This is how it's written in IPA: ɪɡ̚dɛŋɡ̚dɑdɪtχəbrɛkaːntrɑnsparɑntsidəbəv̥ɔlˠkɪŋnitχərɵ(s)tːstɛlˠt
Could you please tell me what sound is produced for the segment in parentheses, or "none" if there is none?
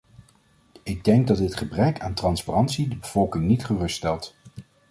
s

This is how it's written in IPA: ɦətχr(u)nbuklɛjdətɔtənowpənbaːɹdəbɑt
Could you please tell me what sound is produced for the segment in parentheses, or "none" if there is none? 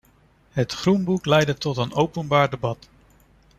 u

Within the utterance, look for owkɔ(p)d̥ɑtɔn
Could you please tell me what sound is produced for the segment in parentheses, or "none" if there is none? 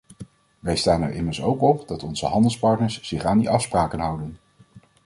p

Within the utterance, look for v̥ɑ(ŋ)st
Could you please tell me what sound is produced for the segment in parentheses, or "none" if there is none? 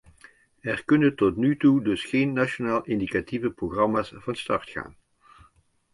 n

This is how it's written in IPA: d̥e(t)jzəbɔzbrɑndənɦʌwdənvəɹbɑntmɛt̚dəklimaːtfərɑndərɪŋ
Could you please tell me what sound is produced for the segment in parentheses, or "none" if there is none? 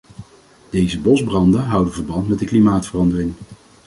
none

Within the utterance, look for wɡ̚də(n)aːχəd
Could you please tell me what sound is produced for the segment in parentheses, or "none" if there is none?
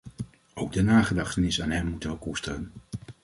n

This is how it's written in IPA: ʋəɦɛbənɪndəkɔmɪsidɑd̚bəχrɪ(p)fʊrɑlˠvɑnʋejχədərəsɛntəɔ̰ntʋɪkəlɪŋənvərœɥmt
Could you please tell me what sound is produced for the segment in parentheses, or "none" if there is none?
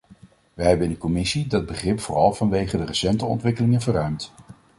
p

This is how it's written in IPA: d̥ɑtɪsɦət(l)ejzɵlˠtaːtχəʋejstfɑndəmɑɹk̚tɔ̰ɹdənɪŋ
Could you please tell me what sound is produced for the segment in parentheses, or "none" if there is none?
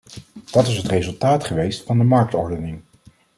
r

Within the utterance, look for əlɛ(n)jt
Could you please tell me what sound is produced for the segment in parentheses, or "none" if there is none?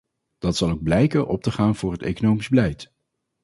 none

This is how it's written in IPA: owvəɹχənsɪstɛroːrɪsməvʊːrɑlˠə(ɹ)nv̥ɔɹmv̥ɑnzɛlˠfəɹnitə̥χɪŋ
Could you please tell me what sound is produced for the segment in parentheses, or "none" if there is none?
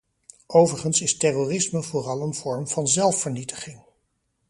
none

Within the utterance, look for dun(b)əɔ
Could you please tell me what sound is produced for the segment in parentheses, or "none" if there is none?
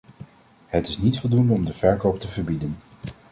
d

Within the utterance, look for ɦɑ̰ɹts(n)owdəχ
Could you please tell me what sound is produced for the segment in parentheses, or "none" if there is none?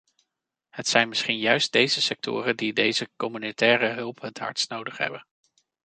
n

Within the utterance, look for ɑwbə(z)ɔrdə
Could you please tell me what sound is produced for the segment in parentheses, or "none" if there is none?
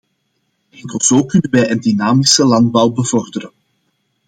v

